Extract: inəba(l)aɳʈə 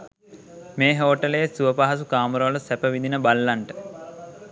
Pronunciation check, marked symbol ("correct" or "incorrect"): incorrect